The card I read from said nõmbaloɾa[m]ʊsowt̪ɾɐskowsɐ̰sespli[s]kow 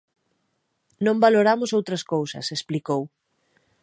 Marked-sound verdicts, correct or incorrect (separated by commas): correct, incorrect